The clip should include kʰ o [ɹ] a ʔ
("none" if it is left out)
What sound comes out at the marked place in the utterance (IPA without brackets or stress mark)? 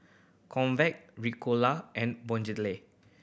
l